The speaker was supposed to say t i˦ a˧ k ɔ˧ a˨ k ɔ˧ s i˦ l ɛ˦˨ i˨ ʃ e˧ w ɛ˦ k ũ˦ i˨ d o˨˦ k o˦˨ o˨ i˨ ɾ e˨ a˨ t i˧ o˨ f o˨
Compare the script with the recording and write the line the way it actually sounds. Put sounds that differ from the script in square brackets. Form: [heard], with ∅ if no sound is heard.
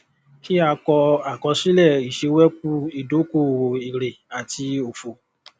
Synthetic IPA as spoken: [k] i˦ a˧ k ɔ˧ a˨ k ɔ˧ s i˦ l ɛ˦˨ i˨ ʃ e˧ w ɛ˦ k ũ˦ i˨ d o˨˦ k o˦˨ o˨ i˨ ɾ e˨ a˨ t i˧ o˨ f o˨